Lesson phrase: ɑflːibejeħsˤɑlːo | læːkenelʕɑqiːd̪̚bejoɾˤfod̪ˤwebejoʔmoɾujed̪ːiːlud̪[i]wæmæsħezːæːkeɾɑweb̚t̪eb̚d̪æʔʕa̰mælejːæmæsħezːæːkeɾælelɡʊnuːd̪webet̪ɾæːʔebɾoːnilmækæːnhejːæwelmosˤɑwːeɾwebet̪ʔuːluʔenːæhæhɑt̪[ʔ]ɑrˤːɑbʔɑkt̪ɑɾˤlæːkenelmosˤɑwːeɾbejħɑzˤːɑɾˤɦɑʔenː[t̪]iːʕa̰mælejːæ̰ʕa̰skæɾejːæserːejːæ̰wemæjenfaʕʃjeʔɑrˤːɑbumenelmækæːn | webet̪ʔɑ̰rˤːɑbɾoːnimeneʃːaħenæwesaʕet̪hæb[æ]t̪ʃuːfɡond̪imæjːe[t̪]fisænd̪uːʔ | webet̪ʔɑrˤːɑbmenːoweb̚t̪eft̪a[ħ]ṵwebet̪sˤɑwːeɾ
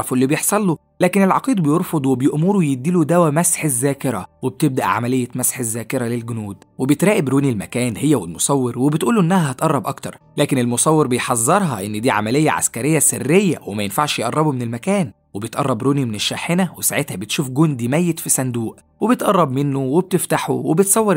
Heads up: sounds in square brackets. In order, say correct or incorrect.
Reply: incorrect, correct, incorrect, incorrect, correct, correct

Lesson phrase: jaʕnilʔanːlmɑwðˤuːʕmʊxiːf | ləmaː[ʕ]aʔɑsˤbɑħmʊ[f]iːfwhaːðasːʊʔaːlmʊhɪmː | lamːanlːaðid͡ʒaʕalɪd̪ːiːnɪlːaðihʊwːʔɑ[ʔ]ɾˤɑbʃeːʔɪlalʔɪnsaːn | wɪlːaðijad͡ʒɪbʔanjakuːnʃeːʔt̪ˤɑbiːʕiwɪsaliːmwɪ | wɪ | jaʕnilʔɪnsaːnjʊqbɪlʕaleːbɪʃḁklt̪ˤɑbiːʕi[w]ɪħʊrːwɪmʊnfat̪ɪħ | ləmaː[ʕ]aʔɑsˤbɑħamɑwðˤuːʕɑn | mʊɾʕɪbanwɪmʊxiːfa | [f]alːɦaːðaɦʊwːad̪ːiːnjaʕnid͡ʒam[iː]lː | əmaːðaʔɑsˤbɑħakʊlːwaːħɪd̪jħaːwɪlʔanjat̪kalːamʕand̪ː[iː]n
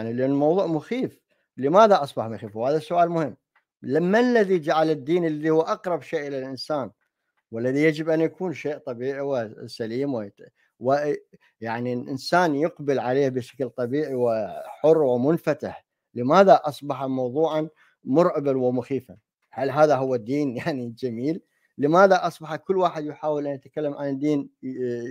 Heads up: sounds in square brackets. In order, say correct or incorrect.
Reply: incorrect, incorrect, incorrect, correct, incorrect, incorrect, correct, correct

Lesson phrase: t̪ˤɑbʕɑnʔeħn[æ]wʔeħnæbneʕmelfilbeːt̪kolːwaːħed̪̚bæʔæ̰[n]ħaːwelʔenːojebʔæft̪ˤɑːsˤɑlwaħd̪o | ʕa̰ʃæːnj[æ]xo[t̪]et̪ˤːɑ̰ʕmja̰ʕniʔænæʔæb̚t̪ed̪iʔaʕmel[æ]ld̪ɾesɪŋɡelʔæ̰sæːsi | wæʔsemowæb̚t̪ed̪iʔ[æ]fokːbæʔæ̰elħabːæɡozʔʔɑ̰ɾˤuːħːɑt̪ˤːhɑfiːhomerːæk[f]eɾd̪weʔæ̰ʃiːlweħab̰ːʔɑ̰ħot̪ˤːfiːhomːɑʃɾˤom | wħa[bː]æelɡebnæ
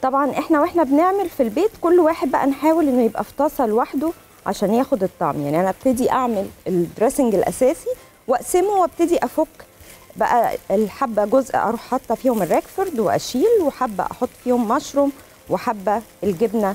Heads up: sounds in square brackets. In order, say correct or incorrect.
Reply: correct, correct, incorrect, incorrect, incorrect, correct, correct, correct

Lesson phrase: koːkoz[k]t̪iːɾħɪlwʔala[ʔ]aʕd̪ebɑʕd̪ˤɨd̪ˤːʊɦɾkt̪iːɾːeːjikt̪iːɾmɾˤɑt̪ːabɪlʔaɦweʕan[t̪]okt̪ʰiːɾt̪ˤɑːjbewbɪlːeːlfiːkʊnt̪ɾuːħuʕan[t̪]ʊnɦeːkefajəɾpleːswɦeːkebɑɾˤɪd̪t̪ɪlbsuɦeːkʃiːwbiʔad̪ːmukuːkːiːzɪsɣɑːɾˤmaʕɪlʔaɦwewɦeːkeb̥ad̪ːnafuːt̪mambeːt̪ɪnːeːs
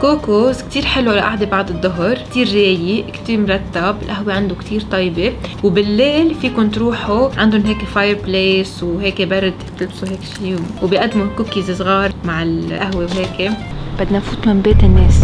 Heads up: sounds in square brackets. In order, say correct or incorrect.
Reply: correct, correct, incorrect, incorrect

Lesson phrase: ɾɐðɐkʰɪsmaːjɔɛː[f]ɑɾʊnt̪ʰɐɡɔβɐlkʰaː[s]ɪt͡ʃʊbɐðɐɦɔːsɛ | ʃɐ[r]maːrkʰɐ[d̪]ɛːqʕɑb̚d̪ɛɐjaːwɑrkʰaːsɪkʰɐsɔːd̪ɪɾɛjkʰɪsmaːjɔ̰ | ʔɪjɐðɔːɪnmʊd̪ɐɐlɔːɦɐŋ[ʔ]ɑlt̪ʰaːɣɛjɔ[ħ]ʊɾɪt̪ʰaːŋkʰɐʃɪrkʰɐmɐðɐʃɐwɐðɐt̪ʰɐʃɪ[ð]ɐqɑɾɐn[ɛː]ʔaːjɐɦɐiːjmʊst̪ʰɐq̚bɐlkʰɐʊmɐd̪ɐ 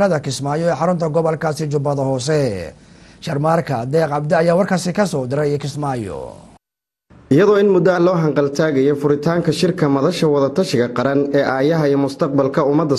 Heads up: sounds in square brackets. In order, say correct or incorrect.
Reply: incorrect, correct, correct, correct, incorrect, incorrect, incorrect, correct

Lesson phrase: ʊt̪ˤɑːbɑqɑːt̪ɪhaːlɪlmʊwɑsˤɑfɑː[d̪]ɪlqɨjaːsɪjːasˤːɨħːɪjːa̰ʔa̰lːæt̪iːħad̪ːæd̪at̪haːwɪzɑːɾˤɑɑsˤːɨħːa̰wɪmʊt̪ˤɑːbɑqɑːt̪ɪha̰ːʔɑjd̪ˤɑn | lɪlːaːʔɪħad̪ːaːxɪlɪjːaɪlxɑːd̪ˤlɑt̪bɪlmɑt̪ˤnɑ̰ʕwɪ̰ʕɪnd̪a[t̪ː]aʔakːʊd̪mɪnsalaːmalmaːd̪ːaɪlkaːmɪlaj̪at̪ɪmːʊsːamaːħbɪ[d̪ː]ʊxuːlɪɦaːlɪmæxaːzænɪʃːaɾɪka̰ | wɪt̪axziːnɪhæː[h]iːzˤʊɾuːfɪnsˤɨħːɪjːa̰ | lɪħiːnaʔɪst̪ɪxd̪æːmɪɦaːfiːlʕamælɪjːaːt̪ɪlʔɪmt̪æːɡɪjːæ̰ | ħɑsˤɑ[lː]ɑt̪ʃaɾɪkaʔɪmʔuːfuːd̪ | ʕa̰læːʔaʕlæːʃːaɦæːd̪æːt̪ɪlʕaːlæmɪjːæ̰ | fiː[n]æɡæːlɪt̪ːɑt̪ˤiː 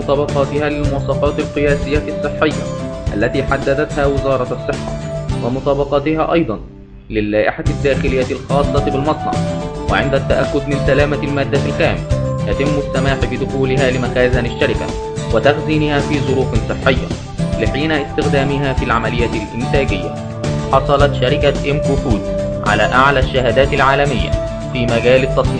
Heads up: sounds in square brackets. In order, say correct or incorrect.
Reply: incorrect, correct, incorrect, incorrect, incorrect, incorrect

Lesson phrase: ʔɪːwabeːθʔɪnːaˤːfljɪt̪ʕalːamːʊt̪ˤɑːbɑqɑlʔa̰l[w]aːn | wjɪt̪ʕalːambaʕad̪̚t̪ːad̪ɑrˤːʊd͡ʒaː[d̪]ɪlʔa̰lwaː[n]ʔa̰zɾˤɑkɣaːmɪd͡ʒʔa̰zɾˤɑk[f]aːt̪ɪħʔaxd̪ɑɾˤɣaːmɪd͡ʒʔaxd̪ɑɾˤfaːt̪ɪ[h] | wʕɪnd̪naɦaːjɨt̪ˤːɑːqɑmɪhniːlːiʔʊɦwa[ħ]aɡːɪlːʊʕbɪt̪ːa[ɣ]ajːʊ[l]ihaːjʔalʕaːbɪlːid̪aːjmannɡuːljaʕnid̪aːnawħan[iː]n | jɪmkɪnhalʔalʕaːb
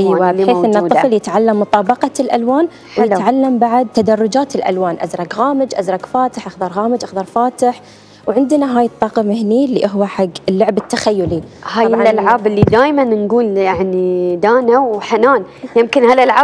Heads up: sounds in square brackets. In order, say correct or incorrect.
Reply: correct, incorrect, correct, correct, incorrect, correct, incorrect, correct, incorrect

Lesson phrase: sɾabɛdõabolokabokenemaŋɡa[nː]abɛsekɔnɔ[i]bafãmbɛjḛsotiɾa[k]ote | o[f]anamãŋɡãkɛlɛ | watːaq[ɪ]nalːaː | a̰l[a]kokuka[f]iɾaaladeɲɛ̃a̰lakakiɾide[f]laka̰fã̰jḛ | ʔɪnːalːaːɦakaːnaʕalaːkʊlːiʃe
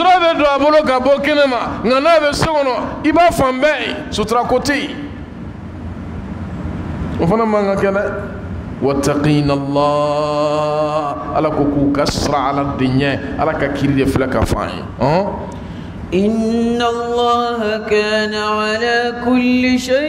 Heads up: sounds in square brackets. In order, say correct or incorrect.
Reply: incorrect, correct, correct, correct, incorrect, correct, incorrect, correct

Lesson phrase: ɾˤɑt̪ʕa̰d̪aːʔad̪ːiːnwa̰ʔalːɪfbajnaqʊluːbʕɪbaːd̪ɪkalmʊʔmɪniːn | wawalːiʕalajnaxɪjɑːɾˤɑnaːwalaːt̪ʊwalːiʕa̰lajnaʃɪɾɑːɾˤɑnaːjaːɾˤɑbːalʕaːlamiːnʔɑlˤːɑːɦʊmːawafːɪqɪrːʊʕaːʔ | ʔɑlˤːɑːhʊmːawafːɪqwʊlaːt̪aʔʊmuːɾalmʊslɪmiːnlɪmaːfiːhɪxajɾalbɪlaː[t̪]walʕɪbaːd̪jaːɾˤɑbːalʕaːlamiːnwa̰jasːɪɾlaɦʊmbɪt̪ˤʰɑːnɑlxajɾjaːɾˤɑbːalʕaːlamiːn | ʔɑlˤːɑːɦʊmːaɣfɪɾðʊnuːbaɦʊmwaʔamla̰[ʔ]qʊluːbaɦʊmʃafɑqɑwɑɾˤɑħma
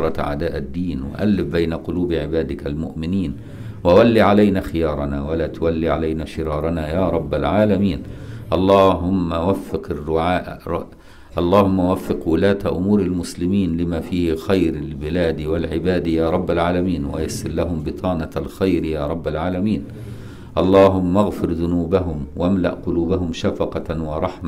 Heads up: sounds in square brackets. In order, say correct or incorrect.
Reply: incorrect, correct

